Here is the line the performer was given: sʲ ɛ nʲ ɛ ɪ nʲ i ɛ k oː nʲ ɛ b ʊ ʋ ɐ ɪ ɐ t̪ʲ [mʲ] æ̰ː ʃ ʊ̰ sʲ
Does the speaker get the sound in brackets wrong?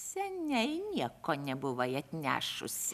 yes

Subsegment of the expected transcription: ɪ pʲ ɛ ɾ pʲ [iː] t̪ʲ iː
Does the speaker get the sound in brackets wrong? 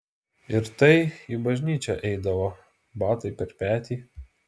yes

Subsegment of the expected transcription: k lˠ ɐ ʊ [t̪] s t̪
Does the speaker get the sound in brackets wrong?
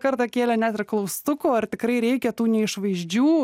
yes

